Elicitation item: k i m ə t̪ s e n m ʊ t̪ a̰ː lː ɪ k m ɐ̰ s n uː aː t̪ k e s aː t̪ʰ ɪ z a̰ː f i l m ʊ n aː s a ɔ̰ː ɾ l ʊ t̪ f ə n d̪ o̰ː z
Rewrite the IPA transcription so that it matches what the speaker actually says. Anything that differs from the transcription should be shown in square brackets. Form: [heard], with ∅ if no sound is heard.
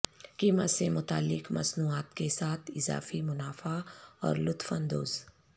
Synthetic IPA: k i m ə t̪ s e [∅] m ʊ t̪ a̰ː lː ɪ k m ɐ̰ s n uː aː t̪ k e s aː t̪ʰ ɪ z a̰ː f i [∅] m ʊ n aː [f] a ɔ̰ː ɾ l ʊ t̪ f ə n d̪ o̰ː z